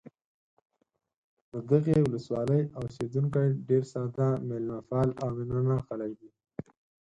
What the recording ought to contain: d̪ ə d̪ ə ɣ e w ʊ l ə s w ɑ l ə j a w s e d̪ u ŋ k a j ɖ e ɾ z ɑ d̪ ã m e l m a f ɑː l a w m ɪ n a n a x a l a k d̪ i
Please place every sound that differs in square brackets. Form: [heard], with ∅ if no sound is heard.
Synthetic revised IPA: d̪ ə d̪ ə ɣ e w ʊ l ə s w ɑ l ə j a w s e d̪ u ŋ k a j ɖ e ɾ [s] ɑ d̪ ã m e l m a f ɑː l a w m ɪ n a n a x a l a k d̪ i

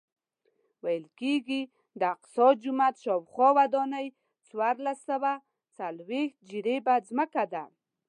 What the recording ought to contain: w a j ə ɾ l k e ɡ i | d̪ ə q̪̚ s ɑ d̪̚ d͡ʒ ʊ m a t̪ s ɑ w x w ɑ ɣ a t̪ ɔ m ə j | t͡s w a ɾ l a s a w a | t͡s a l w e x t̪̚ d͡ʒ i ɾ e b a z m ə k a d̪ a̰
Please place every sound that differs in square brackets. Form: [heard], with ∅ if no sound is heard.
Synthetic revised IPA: w a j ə [∅] l k e ɡ i | d̪ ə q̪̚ s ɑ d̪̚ d͡ʒ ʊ m a t̪ [ʃ] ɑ w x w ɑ [w] a [d̪] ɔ [n] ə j | t͡s w a ɾ l a s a w a | t͡s a l w e x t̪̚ d͡ʒ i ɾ e b a z m ə k a d̪ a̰

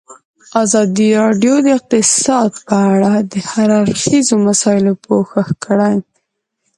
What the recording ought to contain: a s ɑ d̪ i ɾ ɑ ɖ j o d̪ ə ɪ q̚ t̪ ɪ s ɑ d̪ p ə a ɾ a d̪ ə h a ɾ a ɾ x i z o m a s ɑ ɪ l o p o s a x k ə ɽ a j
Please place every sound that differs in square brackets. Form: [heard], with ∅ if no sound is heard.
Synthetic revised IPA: a [z] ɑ d̪ i ɾ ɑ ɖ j o d̪ ə ɪ q̚ t̪ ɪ s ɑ d̪ p ə a [ɽ] a d̪ ə h a ɾ a ɾ x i z o m a s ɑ ɪ l o p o [x] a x k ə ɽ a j

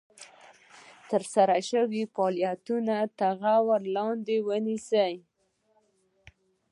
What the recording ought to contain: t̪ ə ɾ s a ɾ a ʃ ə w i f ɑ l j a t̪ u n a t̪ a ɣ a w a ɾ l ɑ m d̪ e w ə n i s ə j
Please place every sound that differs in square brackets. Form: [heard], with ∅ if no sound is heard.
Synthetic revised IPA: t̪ ə ɾ s a ɾ a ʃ ə w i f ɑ l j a t̪ u n a t̪ a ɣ a w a ɾ l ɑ [n] d̪ e w ə n i s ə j

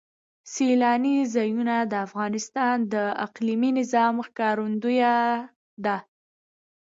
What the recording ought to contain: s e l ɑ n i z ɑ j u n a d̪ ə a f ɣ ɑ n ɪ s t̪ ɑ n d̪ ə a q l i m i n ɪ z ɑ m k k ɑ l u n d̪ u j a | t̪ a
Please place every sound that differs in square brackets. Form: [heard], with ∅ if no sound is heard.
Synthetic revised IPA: s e l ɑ n i z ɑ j u n a d̪ ə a f ɣ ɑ n ɪ s t̪ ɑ n d̪ ə a q l i m i n ɪ z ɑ m [x] k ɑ [ɾ] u n d̪ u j a | [d̪] a

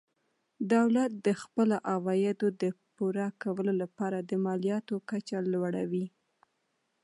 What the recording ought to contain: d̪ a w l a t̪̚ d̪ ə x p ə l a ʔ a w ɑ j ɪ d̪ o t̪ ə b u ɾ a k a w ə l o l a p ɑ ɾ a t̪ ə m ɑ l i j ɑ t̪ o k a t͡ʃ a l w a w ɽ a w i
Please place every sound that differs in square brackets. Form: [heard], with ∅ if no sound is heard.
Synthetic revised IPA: d̪ a w l a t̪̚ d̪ ə x p ə l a ʔ a w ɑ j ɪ d̪ o [d̪] ə [p] u ɾ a k a w ə l o l a p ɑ ɾ a [d̪] ə m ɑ l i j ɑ t̪ o k a t͡ʃ a l w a [∅] ɽ a w i

